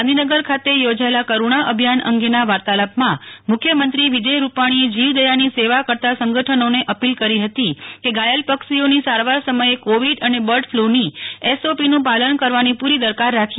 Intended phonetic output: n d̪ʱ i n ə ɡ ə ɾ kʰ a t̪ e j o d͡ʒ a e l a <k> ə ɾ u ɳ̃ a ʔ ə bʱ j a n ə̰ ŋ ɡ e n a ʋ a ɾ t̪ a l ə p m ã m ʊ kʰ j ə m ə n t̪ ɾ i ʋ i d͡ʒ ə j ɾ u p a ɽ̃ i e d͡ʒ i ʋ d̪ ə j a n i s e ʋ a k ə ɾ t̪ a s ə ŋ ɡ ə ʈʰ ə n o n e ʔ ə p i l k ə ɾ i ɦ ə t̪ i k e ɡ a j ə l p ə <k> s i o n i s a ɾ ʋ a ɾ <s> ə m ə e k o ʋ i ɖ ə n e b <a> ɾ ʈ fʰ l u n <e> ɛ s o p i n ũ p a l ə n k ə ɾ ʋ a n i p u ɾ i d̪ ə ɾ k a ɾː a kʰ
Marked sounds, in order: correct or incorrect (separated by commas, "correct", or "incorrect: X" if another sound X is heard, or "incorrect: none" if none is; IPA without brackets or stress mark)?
correct, correct, correct, incorrect: ə, incorrect: i